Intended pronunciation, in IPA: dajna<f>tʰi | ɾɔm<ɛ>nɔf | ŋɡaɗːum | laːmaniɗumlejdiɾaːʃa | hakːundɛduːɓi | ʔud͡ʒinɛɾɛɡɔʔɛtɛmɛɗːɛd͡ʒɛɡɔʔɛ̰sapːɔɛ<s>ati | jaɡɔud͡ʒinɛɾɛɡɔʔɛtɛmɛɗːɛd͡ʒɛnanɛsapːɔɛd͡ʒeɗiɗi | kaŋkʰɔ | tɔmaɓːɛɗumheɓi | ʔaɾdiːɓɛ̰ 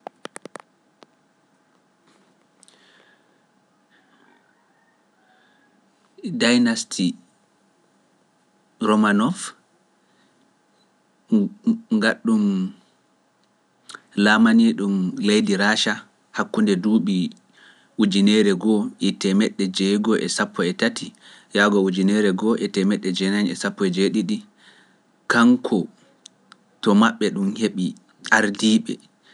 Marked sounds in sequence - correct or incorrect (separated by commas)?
incorrect, incorrect, incorrect